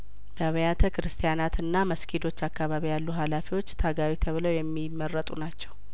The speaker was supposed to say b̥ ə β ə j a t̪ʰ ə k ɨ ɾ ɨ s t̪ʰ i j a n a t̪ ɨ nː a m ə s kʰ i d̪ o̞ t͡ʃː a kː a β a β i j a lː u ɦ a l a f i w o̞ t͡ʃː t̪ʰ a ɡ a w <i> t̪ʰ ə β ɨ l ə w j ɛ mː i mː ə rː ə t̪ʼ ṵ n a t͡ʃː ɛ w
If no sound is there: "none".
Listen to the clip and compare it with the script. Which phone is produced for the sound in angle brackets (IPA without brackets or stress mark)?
i